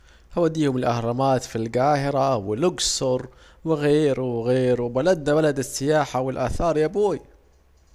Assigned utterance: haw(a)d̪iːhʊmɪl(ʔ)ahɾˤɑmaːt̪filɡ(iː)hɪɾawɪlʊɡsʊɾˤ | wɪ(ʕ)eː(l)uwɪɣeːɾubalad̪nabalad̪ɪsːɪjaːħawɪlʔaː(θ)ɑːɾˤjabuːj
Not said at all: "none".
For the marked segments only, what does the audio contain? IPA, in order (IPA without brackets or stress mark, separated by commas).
a, ʔ, aː, ɣ, ɾ, θ